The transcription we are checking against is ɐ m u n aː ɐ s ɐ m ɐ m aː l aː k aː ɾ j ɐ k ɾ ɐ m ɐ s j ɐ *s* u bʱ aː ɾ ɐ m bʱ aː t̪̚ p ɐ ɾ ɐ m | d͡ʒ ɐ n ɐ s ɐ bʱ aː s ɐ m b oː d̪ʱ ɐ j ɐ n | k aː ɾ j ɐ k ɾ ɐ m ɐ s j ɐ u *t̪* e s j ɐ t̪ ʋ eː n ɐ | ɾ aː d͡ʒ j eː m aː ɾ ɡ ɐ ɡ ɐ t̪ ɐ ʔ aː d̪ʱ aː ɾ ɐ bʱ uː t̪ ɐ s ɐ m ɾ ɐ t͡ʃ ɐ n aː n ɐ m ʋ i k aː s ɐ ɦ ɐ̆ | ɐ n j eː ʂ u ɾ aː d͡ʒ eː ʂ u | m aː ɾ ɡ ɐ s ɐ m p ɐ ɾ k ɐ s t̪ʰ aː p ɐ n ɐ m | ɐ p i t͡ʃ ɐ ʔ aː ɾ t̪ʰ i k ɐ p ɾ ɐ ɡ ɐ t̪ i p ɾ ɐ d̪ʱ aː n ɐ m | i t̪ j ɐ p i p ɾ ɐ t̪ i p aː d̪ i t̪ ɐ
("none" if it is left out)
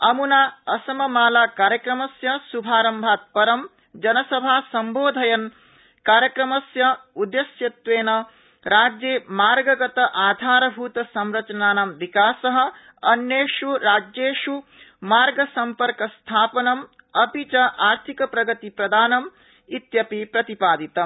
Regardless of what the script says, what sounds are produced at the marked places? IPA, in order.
s, d̪

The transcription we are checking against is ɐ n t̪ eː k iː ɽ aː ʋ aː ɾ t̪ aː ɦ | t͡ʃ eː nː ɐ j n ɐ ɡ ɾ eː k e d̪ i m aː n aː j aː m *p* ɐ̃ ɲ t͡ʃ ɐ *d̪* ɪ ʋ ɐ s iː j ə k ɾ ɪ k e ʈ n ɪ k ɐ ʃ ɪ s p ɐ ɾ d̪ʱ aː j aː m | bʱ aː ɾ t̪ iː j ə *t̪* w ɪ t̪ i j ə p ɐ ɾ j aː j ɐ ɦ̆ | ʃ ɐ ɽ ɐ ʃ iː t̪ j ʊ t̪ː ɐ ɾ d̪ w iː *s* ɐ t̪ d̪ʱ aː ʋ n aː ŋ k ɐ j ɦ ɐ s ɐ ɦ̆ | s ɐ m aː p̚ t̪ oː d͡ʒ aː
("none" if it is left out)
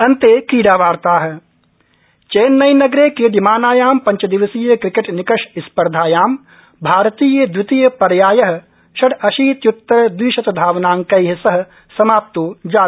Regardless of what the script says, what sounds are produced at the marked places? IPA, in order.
p, d̪, d̪, ʃ

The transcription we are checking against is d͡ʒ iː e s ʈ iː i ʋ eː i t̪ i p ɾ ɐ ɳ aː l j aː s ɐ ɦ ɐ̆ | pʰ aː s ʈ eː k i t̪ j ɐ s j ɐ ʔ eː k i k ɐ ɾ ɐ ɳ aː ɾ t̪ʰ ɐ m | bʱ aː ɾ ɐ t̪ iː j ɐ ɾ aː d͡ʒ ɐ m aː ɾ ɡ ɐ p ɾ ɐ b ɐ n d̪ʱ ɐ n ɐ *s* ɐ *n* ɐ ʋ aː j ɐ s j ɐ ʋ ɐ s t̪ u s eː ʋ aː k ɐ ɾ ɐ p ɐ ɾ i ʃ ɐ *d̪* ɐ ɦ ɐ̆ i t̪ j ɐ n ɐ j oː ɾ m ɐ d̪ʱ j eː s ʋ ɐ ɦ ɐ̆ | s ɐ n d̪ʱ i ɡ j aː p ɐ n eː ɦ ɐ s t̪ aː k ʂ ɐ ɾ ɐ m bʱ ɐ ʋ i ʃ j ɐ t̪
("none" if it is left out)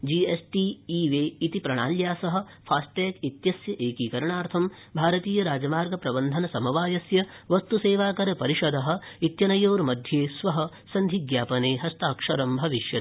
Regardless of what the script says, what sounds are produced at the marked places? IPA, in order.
s, m, d̪

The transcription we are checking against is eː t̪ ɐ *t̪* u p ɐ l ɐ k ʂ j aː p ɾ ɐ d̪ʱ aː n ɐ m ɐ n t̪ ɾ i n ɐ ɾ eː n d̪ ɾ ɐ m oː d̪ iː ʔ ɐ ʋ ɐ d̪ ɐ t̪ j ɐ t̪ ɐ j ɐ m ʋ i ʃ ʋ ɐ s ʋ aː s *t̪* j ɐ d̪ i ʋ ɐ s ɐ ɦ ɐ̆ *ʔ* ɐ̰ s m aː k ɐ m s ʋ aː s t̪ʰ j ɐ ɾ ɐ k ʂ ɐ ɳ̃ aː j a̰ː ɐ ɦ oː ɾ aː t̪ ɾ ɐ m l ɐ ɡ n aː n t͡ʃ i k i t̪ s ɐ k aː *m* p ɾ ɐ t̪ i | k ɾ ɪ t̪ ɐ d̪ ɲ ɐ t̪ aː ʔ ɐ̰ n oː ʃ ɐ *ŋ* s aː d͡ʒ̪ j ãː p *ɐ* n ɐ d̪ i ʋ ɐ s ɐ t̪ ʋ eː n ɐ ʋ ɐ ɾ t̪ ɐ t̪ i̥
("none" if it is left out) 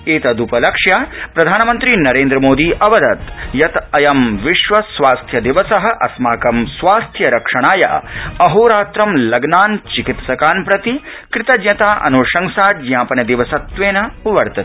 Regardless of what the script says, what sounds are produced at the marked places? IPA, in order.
d̪, t̪ʰ, ʔ, n, ŋ, ɐ

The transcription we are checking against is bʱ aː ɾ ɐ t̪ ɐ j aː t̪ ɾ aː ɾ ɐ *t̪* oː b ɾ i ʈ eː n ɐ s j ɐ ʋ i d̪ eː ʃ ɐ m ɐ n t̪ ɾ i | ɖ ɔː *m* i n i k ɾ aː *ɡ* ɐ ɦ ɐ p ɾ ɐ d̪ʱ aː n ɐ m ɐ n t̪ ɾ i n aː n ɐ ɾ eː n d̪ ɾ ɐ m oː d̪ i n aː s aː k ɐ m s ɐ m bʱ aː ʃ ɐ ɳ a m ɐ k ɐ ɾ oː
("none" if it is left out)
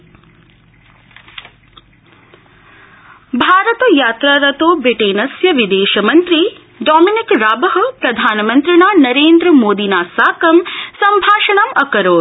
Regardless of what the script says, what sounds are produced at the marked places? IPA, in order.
t̪, m, b

